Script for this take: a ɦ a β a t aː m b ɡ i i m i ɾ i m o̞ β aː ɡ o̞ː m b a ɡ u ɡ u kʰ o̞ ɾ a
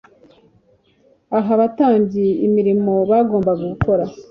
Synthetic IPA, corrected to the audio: a ɦ a β a t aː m b ɟ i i m i ɾ i m o̞ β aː ɡ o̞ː m b a ɡ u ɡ u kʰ o̞ ɾ a